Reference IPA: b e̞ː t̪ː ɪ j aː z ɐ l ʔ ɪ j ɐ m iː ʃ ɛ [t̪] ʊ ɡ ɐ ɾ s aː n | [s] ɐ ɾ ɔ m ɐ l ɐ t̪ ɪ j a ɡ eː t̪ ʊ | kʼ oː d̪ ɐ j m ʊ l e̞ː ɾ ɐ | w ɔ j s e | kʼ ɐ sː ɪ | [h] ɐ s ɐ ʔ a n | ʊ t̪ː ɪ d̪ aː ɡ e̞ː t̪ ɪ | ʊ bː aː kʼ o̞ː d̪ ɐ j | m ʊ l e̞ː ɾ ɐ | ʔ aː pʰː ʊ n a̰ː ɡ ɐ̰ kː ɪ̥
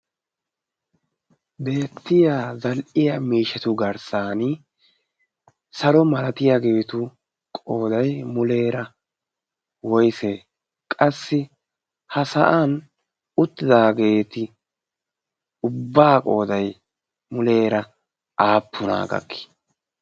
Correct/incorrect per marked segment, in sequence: correct, correct, correct

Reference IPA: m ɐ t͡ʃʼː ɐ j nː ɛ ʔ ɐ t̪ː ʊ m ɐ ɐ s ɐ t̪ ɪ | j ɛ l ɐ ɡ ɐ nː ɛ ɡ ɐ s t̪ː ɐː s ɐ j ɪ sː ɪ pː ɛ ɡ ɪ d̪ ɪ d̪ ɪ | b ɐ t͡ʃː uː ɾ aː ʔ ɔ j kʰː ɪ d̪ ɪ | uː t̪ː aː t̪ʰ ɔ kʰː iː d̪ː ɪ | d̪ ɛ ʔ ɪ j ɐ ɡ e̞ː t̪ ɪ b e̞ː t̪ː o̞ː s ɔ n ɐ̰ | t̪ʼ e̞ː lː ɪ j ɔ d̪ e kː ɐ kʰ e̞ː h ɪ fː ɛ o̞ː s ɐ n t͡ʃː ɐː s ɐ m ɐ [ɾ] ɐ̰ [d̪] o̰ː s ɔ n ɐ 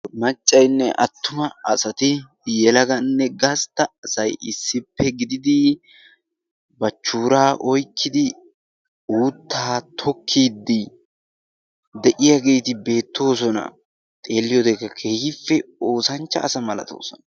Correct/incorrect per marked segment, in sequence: incorrect: l, incorrect: t̪

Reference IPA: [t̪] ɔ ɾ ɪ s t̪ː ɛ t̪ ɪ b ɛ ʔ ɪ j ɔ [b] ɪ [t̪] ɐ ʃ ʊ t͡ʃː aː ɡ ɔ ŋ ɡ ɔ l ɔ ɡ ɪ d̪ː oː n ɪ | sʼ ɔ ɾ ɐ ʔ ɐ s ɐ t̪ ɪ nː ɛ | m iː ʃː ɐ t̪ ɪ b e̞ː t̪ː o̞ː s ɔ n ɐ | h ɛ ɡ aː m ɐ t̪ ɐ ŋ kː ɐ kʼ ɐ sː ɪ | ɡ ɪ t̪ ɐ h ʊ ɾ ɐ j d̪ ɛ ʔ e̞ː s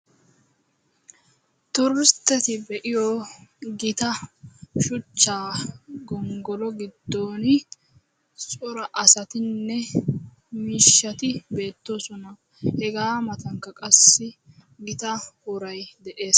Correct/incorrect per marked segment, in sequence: correct, incorrect: ɡ, correct

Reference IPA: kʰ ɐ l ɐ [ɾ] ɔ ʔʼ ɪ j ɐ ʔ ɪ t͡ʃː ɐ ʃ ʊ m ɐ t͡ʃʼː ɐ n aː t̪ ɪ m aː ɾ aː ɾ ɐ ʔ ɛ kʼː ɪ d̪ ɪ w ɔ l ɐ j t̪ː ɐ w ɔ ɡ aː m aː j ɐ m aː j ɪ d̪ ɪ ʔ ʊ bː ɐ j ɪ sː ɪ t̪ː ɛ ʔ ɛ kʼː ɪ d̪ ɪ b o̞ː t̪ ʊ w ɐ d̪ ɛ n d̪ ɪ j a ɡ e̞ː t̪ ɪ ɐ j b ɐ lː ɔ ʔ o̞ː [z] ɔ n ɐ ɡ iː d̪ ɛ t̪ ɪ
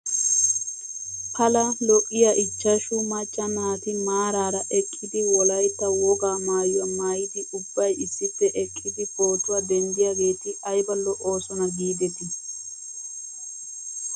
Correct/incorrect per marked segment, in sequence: incorrect: l, incorrect: s

